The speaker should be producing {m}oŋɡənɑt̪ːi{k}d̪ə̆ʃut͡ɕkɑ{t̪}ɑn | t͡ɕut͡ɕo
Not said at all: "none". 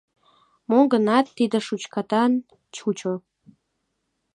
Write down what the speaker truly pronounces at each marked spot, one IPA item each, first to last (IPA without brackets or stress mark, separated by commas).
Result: m, none, t̪